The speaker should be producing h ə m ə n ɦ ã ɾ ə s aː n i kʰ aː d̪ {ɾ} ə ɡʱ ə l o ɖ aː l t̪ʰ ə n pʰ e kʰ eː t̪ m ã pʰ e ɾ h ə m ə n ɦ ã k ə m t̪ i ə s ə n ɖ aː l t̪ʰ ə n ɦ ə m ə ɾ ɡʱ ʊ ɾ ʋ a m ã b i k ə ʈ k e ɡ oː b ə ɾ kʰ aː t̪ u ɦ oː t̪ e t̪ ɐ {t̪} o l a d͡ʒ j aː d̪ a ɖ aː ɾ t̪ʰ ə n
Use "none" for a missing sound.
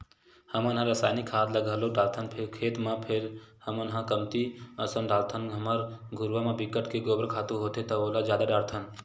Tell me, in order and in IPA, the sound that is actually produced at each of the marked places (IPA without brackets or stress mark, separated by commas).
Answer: l, none